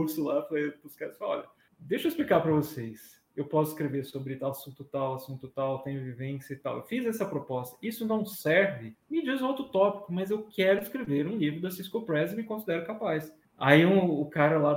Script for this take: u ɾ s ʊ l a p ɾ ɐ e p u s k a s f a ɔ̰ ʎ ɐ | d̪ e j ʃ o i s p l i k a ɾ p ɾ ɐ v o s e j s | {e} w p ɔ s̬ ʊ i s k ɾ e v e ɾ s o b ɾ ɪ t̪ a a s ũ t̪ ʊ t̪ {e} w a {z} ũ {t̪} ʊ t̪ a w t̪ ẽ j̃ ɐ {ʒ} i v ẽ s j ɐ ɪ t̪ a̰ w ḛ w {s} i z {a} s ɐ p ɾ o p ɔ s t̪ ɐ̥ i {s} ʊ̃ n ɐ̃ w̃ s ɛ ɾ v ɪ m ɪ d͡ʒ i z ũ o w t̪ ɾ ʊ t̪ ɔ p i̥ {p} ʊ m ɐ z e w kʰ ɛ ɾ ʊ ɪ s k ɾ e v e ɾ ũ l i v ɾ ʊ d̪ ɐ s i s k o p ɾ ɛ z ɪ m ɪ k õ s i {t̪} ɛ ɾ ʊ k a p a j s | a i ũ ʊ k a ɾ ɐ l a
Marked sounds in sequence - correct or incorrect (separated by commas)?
correct, incorrect, incorrect, correct, incorrect, incorrect, incorrect, correct, incorrect, incorrect